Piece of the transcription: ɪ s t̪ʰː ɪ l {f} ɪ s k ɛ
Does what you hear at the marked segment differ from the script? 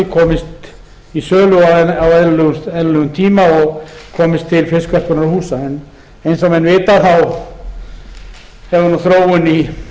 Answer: no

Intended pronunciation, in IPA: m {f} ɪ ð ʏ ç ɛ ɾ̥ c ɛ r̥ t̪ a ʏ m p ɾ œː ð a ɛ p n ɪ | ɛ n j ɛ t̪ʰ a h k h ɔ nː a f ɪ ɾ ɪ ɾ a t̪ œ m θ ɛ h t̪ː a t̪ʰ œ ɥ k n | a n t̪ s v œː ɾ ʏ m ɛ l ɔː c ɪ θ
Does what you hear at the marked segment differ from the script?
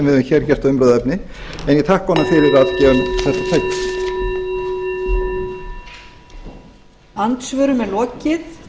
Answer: yes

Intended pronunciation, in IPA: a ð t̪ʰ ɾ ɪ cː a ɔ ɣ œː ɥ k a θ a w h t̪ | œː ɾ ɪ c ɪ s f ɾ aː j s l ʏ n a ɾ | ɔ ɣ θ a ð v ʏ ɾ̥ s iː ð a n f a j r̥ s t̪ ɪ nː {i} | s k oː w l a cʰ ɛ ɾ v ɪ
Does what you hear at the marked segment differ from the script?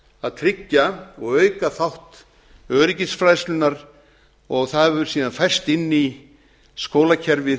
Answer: no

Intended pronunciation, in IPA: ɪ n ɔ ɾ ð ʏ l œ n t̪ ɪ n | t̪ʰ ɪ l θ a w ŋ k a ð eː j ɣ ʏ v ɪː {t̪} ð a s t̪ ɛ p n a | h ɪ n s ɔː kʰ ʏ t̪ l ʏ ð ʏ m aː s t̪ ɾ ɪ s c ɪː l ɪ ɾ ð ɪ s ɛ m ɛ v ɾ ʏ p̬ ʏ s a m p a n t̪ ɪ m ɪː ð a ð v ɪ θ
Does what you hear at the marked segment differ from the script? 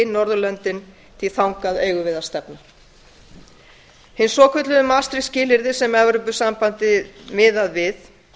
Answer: yes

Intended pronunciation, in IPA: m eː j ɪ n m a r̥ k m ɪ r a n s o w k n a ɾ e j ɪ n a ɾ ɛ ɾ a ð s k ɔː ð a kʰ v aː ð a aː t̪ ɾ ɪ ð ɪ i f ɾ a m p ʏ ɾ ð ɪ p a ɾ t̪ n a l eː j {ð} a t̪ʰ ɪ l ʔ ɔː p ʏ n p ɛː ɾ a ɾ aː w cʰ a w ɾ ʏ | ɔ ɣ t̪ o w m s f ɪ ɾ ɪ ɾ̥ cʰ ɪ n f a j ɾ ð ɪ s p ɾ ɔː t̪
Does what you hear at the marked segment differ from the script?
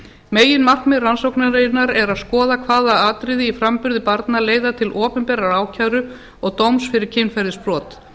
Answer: no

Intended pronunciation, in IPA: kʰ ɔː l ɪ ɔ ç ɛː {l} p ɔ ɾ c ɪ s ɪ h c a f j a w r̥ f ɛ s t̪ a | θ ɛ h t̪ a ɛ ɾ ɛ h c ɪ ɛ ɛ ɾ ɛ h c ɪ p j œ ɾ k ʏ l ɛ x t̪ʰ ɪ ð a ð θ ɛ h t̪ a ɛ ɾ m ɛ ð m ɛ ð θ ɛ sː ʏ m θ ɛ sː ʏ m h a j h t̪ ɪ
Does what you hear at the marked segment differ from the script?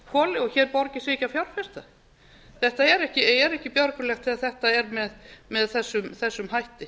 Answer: yes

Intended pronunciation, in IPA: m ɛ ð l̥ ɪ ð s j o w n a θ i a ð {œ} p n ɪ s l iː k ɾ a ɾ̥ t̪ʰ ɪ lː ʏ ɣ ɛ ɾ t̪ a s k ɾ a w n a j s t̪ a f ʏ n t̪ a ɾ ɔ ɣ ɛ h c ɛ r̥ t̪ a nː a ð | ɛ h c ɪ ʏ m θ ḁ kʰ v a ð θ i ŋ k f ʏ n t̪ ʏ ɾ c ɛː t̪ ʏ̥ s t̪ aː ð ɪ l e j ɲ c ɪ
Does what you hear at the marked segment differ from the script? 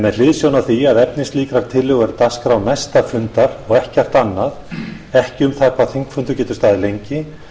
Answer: yes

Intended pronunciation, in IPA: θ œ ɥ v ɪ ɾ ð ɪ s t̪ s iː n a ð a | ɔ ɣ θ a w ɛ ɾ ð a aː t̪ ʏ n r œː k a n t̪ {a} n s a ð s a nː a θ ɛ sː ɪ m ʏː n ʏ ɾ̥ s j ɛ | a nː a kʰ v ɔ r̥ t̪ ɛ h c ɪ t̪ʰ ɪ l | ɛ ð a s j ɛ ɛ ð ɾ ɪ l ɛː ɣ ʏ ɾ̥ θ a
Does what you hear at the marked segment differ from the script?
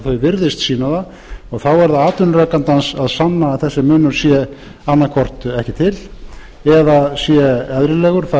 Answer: no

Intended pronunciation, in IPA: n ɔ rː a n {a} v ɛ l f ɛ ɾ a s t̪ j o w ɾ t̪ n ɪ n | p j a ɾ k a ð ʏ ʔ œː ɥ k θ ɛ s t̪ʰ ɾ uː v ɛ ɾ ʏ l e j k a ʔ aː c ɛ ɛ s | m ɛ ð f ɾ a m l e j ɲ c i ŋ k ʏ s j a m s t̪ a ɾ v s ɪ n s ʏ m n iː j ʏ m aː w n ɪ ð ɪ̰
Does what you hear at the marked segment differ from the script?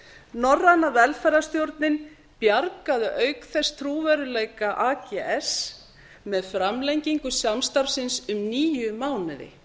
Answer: no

